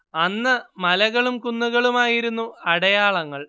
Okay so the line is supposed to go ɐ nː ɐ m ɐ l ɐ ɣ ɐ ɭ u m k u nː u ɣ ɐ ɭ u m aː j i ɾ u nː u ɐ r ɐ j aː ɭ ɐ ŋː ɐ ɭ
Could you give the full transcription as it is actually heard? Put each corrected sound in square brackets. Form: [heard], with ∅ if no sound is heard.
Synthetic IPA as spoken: ɐ nː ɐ m ɐ l ɐ ɣ ɐ ɭ u m k u nː u ɣ ɐ ɭ u m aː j i ɾ u nː u ɐ [ɽ] ɐ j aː ɭ ɐ ŋː ɐ ɭ